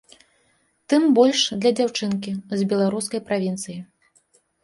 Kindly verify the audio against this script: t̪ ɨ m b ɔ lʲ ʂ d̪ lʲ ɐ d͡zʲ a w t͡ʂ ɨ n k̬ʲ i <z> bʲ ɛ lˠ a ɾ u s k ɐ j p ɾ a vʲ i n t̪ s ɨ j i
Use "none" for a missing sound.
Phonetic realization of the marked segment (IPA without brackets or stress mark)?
z